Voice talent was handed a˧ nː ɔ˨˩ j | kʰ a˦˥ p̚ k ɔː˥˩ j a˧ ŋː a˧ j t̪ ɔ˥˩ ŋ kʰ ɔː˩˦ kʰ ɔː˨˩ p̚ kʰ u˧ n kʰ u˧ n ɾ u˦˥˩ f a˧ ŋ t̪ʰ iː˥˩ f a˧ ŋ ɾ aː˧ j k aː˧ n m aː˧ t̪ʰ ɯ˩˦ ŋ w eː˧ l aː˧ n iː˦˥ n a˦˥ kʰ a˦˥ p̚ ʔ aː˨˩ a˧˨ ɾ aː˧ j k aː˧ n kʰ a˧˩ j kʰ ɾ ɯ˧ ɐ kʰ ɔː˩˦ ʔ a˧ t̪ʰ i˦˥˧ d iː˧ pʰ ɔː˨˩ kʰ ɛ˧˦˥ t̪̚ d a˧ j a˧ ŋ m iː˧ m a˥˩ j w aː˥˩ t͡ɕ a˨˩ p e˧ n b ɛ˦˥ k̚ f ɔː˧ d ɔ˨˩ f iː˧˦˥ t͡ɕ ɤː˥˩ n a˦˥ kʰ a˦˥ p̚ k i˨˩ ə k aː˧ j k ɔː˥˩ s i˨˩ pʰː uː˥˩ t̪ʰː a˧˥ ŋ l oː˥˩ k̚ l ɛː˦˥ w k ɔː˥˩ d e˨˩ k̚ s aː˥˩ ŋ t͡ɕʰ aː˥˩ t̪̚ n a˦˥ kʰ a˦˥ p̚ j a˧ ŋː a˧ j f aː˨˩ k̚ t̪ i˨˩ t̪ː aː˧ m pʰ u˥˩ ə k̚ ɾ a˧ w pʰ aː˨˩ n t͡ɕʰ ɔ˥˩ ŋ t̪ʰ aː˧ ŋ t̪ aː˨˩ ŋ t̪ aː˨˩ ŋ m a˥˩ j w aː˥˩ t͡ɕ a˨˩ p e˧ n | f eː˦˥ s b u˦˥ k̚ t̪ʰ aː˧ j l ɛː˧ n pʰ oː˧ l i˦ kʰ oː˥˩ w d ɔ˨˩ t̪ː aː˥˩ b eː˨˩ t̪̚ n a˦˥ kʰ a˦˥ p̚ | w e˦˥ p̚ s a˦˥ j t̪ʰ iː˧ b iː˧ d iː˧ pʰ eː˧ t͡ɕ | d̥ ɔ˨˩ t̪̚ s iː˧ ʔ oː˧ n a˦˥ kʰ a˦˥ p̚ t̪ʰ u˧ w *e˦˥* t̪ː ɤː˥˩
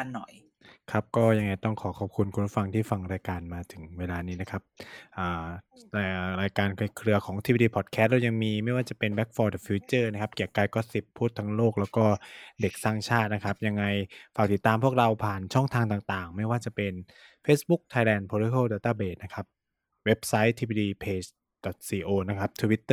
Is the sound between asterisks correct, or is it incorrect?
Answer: incorrect